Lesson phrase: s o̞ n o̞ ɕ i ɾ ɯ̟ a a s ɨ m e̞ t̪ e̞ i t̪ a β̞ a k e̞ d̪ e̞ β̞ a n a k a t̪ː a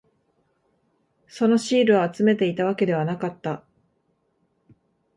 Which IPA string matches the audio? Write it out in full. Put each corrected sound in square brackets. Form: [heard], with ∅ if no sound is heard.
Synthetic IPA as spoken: s o̞ n o̞ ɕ [iː] ɾ ɯ̟ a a [t͡s] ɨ m e̞ t̪ e̞ i t̪ a β̞ a k e̞ d̪ e̞ β̞ a n a k a t̪ː a